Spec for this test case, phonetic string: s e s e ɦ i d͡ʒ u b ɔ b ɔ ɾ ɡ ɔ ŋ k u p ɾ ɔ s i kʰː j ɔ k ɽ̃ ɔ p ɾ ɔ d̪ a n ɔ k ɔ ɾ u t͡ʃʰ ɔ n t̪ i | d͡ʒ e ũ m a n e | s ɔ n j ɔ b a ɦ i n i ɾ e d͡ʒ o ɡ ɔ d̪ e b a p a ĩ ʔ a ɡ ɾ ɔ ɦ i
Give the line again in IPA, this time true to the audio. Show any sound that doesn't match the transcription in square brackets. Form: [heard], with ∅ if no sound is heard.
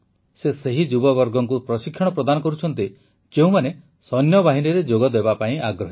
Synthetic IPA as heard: s e s e ɦ i d͡ʒ u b ɔ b ɔ ɾ ɡ ɔ ŋ k u p ɾ ɔ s i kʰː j ɔ [∅] ɽ̃ ɔ p ɾ ɔ d̪ a n ɔ k ɔ ɾ u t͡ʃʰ ɔ n t̪ i | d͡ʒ e ũ m a n e | s ɔ n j ɔ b a ɦ i n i ɾ e d͡ʒ o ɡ ɔ d̪ e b a p a ĩ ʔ a ɡ ɾ ɔ ɦ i